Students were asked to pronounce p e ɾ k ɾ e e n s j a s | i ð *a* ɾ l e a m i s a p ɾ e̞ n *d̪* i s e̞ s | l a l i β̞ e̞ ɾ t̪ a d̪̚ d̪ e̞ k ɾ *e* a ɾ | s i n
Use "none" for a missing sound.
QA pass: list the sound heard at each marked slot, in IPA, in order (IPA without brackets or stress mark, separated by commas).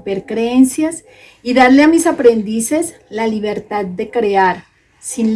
a, d̪, e